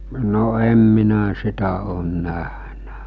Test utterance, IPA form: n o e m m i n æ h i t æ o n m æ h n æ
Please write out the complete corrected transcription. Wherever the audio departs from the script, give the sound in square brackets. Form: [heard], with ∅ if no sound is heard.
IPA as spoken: n o e m m i n æ [s] i t æ [oː] n [n] æ h n æ